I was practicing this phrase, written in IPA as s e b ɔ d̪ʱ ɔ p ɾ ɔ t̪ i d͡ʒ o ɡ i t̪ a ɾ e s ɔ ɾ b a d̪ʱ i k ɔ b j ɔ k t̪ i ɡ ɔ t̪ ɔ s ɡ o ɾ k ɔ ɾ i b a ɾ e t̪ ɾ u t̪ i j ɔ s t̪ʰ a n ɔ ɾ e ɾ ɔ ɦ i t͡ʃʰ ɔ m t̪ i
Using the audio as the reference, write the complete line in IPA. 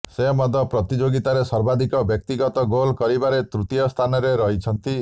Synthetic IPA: s e m ɔ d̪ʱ ɔ p ɾ ɔ t̪ i d͡ʒ o ɡ i t̪ a ɾ e s ɔ ɾ b a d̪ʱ i k ɔ b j ɔ k t̪ i ɡ ɔ t̪ ɔ ɡ o l k ɔ ɾ i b a ɾ e t̪ ɾ u t̪ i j ɔ s t̪ʰ a n ɔ ɾ e ɾ ɔ ɦ i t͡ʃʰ ɔ n t̪ i